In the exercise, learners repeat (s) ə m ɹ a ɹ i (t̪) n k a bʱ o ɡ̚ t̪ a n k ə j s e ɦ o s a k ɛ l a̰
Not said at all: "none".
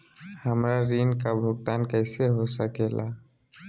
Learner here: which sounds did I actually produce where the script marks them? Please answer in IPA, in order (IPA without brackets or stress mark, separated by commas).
h, none